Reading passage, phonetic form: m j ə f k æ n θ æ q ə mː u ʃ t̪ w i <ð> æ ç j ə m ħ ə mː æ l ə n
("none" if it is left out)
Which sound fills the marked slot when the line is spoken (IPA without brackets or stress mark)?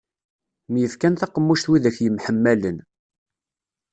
ð